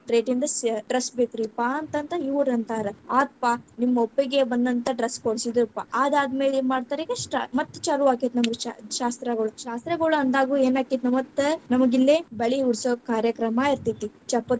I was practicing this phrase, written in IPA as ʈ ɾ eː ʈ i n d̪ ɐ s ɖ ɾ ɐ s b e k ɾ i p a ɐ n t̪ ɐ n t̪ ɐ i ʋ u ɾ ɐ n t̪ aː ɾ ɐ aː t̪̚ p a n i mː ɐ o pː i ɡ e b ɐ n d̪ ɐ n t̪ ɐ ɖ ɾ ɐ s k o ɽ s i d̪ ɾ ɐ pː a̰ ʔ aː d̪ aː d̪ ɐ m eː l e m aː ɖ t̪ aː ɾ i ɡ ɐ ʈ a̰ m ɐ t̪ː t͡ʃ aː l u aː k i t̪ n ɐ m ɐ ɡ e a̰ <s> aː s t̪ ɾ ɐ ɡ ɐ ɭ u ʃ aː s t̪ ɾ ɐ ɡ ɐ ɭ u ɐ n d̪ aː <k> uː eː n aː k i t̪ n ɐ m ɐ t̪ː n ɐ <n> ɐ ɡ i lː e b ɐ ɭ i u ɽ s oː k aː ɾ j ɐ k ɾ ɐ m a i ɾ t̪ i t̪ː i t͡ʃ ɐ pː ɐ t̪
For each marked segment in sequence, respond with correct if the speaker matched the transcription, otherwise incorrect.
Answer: incorrect: ʃ, incorrect: ɡ, incorrect: m

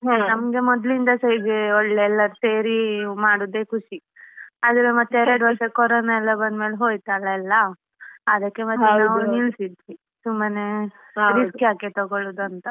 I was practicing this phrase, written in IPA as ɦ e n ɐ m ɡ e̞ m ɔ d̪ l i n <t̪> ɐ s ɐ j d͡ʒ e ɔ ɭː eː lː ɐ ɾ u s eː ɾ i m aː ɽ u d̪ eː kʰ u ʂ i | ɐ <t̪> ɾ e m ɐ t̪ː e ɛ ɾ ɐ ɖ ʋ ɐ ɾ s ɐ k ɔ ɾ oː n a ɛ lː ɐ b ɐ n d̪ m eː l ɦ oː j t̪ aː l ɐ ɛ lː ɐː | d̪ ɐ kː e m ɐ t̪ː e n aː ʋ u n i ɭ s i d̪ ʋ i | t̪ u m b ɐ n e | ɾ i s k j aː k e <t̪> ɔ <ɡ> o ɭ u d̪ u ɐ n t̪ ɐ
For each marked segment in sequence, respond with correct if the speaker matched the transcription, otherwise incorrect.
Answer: incorrect: d̪, incorrect: d̪, correct, correct

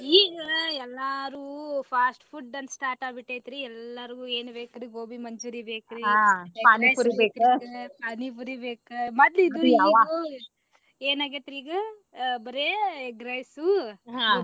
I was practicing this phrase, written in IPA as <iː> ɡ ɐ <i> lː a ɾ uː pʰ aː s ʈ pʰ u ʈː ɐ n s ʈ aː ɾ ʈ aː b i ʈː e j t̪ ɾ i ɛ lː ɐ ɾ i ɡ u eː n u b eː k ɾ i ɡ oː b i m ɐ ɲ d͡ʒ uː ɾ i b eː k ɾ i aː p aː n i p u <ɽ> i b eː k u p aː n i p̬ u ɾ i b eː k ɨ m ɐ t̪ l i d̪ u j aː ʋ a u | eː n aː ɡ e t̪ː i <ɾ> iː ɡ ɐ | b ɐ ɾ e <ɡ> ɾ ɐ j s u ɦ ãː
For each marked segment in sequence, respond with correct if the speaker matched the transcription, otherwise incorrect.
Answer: correct, incorrect: ɛ, incorrect: ɾ, correct, correct

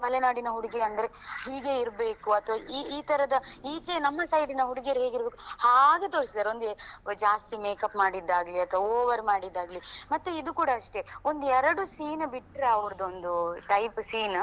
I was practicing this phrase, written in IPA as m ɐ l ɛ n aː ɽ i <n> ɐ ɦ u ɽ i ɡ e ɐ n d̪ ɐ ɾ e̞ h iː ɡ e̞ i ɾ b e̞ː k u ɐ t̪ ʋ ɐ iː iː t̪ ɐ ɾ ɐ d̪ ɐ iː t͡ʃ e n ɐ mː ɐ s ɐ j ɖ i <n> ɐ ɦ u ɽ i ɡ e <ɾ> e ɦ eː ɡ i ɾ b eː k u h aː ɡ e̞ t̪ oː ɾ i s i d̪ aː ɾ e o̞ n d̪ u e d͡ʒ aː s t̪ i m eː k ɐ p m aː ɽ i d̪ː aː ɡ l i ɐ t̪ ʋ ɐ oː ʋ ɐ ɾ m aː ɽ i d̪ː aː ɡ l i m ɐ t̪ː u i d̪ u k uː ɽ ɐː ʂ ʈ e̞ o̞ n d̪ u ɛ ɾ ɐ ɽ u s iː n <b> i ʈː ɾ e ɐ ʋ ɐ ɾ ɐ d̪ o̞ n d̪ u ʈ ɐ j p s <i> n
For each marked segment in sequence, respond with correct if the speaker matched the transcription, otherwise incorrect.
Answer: correct, correct, correct, correct, incorrect: iː

